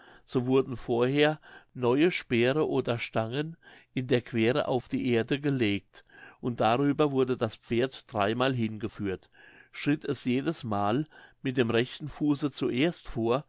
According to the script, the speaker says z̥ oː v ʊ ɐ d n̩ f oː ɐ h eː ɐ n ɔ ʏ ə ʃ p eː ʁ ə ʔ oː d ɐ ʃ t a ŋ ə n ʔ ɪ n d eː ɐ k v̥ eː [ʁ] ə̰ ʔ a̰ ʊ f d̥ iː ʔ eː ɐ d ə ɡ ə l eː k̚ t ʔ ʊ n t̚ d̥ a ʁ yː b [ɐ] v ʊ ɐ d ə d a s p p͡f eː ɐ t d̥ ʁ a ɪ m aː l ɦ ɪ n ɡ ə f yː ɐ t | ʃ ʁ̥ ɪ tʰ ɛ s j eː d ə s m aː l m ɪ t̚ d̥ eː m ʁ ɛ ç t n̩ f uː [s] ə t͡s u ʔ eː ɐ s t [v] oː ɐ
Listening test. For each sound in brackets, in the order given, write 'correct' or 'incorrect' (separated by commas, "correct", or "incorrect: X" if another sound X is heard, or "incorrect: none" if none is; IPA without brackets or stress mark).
correct, correct, correct, incorrect: f